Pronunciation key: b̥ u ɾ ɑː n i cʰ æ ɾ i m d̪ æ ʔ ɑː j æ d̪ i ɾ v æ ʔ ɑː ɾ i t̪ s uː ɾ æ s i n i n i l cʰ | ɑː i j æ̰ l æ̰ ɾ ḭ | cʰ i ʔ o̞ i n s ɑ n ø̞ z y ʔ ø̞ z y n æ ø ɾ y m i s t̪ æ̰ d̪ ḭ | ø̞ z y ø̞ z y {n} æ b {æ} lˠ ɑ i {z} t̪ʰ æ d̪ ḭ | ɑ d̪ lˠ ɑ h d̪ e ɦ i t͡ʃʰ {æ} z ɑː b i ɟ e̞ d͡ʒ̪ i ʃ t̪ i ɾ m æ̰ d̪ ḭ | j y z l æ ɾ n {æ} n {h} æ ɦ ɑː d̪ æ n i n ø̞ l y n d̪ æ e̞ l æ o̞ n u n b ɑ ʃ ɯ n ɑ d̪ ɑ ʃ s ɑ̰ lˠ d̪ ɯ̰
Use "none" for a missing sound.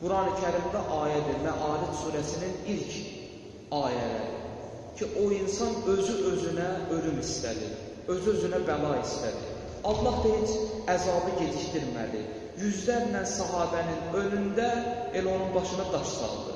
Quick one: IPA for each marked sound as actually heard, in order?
n, æ, s, æ, æ, s

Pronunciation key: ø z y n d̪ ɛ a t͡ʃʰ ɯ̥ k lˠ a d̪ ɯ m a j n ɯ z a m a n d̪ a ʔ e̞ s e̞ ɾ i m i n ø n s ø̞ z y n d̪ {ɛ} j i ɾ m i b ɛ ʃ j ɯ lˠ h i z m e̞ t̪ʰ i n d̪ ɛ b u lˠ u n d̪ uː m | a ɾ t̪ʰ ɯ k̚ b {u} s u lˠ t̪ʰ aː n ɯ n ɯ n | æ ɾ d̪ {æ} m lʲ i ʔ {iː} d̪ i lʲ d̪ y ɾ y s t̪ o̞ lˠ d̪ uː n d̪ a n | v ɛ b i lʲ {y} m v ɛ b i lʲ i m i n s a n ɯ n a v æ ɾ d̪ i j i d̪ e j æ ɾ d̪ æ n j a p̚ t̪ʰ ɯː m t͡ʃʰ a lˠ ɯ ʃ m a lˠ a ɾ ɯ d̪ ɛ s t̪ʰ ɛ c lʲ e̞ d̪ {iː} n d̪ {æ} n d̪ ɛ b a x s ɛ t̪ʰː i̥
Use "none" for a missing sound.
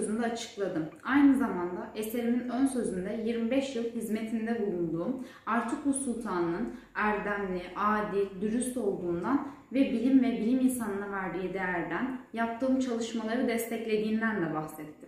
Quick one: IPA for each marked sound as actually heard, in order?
ɛ, u, æ, aː, i, iː, æ

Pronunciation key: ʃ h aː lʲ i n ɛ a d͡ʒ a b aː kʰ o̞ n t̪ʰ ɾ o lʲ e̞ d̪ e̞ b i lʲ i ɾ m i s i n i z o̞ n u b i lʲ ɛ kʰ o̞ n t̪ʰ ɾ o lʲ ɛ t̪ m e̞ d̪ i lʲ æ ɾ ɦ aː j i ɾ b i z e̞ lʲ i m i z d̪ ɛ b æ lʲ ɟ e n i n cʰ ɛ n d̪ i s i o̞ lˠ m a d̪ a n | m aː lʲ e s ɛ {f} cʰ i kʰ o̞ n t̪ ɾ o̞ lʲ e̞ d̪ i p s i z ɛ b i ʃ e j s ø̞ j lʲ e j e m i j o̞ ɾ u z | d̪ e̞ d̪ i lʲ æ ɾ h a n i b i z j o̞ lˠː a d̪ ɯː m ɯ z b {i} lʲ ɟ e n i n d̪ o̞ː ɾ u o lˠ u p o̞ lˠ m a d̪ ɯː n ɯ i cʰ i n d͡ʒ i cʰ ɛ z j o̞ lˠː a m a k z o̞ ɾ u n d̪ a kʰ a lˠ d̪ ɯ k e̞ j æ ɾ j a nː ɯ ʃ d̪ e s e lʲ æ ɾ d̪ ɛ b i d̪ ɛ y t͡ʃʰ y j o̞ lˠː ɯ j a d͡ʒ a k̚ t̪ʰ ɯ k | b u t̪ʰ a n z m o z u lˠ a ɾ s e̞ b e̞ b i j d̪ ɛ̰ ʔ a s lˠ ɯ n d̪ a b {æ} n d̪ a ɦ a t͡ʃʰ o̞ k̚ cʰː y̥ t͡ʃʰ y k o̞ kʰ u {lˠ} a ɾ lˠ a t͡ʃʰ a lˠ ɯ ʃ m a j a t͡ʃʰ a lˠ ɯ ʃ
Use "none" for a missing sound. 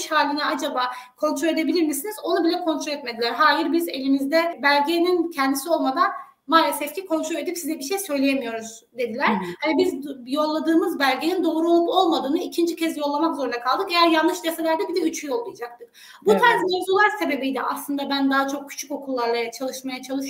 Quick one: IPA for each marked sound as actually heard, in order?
f, æ, æ, lˠː

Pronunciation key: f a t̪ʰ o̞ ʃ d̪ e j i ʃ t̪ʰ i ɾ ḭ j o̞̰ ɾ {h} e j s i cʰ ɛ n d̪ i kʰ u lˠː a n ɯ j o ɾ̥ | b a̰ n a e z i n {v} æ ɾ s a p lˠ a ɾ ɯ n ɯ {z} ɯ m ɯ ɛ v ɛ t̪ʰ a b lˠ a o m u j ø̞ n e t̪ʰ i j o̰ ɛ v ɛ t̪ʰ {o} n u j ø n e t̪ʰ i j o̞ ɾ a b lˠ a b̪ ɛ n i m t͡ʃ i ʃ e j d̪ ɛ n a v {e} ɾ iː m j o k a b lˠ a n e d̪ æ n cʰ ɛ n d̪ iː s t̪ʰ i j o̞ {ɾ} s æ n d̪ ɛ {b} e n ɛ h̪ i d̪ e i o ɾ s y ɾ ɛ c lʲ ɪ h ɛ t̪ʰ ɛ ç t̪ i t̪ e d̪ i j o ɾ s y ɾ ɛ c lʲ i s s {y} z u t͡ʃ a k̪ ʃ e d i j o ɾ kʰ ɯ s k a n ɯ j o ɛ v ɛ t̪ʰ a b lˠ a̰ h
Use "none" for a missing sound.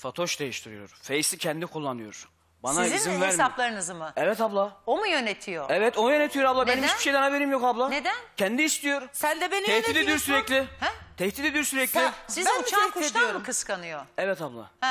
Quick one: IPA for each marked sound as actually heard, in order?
f, v, z, o, e, ɾ, b, i

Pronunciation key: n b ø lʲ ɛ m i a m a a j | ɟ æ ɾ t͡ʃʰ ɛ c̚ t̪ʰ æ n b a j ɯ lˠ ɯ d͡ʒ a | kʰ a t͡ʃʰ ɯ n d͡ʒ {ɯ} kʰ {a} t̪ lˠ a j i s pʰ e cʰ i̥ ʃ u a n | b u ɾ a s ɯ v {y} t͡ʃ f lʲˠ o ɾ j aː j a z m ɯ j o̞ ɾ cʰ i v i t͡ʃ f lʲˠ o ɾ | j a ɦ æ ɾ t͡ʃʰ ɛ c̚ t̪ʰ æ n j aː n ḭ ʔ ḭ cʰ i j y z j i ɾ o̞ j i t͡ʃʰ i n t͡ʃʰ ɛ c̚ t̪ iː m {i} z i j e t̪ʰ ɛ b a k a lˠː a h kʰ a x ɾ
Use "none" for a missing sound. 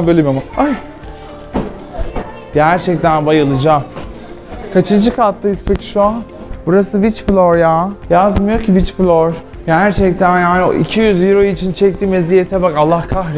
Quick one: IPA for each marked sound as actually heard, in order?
ɯ, a, i, e

